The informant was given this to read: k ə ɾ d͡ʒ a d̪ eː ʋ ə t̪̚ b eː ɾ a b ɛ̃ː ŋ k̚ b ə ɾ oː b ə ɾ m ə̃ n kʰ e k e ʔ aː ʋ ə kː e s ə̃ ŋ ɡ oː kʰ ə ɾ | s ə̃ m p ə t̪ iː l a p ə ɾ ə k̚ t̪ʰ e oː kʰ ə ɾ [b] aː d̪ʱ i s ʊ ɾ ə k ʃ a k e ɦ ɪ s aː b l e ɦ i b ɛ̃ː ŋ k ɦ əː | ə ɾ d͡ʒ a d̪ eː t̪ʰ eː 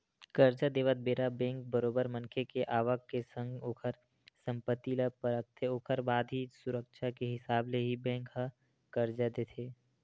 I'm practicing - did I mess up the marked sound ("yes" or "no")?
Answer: no